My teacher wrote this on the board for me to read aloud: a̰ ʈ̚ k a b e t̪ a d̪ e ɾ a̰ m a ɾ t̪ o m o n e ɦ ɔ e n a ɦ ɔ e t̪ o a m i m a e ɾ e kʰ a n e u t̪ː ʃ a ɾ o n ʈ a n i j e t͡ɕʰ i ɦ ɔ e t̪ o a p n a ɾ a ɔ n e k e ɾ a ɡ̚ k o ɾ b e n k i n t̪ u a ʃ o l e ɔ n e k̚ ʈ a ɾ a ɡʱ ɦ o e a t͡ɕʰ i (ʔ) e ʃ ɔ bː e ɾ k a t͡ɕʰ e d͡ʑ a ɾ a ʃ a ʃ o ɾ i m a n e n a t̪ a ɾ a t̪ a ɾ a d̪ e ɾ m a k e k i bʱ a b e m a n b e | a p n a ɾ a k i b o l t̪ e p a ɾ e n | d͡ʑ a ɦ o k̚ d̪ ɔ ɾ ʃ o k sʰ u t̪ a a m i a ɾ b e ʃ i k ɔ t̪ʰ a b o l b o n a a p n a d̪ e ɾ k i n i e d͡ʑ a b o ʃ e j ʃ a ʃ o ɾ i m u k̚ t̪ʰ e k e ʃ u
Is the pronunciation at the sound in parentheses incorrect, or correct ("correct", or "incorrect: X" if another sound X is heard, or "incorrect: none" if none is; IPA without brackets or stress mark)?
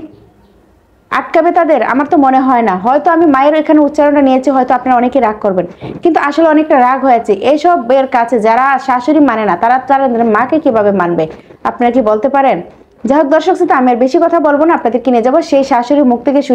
correct